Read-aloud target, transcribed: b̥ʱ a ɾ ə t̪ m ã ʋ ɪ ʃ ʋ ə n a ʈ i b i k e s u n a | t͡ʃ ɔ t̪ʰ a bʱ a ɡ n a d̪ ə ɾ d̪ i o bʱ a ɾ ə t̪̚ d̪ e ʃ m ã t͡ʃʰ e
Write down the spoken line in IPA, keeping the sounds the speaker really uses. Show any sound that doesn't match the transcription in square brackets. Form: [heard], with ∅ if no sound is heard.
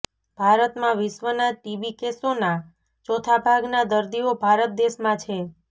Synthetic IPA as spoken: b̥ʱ a ɾ ə t̪ m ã ʋ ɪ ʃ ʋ ə n a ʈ i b i k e s [o] n a | t͡ʃ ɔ t̪ʰ a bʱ a ɡ n a d̪ ə ɾ d̪ i o bʱ a ɾ ə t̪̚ d̪ e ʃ m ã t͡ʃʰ e